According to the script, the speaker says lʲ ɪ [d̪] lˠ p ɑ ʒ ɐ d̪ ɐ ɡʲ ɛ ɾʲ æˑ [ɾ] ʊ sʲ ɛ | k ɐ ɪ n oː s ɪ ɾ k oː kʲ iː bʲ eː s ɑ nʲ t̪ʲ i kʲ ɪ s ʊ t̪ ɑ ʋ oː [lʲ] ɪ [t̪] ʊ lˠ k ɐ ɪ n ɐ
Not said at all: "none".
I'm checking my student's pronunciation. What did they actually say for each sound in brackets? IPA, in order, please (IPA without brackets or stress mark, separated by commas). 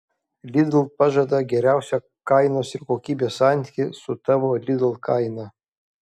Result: d̪, none, lʲ, d̪